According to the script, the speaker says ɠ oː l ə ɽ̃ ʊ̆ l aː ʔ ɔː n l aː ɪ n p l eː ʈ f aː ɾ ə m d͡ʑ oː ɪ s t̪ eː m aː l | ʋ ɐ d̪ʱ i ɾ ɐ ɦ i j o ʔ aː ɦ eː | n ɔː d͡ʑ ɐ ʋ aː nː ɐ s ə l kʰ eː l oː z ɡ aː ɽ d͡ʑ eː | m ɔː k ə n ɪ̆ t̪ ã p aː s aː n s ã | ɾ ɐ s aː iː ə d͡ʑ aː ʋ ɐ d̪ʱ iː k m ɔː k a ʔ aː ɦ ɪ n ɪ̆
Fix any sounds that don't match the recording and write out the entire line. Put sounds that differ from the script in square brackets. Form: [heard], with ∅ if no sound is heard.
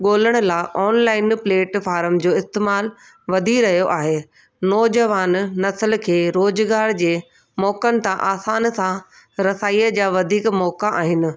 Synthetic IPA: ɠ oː l ə ɽ̃ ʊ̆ l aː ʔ ɔː n l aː ɪ n p l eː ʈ f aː ɾ ə m d͡ʑ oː ɪ s t̪ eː m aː l | ʋ ɐ d̪ʱ i ɾ ɐ ɦ i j o ʔ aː ɦ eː | n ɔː d͡ʑ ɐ ʋ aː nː ɐ s ə l kʰ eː [ɾ] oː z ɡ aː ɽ d͡ʑ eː | m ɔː k ə n ɪ̆ t̪ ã [ʔ] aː s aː n s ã | ɾ ɐ s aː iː ə d͡ʑ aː ʋ ɐ d̪ʱ iː k m ɔː k a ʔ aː ɦ ɪ n ɪ̆

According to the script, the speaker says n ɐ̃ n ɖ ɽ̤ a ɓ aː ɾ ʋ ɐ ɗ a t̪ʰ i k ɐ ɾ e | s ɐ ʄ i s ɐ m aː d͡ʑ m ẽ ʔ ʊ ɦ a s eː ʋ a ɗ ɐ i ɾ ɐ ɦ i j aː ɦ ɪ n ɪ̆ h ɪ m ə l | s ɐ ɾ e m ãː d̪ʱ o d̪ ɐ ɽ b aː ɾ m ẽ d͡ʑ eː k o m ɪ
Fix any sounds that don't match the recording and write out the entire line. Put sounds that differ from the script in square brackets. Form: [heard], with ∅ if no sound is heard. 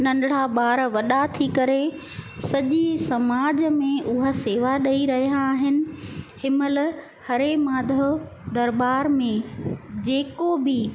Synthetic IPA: n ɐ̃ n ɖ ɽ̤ a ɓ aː ɾ ʋ ɐ ɗ a t̪ʰ i k ɐ ɾ e | s ɐ ʄ i s ɐ m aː d͡ʑ m ẽ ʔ ʊ ɦ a s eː ʋ a ɗ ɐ i ɾ ɐ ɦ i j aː ɦ ɪ n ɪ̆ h ɪ m ə l | [h] ɐ ɾ e m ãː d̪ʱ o d̪ ɐ [ɾ] b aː ɾ m ẽ d͡ʑ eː k o [b] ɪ

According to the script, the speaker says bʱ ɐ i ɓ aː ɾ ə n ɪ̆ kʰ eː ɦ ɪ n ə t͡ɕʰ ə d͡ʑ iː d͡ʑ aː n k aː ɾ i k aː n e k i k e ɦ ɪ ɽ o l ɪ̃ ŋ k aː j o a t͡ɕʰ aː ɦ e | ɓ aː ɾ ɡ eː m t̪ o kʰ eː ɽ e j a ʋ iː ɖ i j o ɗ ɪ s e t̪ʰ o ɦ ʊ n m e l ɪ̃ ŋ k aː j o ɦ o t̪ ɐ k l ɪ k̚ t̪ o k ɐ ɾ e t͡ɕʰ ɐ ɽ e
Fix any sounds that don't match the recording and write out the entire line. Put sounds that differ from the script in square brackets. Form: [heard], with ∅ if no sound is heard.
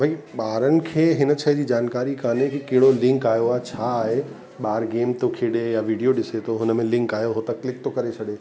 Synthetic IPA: bʱ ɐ i ɓ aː ɾ ə n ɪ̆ kʰ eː ɦ ɪ n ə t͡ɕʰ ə d͡ʑ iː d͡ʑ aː n k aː ɾ i k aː n e k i k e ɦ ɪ ɽ o l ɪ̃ ŋ k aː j o a t͡ɕʰ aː ɦ e | ɓ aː ɾ ɡ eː m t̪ o kʰ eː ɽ e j a ʋ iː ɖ i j o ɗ ɪ s e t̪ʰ o ɦ ʊ n m [ẽ] l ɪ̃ ŋ k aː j o ɦ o t̪ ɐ k l ɪ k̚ t̪ o k ɐ ɾ e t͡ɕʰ ɐ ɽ e

